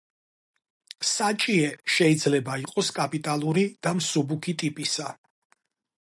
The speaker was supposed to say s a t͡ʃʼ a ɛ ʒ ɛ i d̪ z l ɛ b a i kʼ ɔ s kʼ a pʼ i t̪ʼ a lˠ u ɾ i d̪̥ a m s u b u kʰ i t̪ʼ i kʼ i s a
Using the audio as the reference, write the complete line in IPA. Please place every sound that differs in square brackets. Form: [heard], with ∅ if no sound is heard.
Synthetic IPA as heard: s a t͡ʃʼ [i] ɛ [ʃ] ɛ i d̪ z l ɛ b a i [qʼ] ɔ s kʼ a pʼ i t̪ʼ a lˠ u ɾ i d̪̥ a m s u b u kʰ i t̪ʼ i [pʼ] i s a